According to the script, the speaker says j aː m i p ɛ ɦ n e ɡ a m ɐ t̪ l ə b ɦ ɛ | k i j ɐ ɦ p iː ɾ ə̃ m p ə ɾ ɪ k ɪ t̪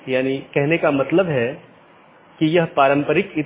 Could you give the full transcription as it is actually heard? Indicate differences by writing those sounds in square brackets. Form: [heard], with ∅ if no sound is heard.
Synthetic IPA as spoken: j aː [n] i [k] ɛ ɦ n e [k] a m ɐ t̪ l ə b ɦ ɛ | k i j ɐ ɦ p [aː] ɾ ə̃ m p ə ɾ ɪ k ɪ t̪